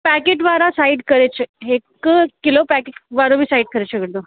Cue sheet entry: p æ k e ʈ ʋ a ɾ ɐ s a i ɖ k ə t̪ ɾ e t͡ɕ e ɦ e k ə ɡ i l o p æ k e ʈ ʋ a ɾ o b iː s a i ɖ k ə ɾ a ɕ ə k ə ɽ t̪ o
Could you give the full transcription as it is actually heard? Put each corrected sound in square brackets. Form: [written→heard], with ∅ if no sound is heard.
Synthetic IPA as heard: p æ k e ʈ ʋ a ɾ [ɐ→a] s a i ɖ k ə [t̪→∅] ɾ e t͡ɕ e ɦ e k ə [ɡ→k] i l o p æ k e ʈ ʋ a ɾ o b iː s a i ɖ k ə ɾ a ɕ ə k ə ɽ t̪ o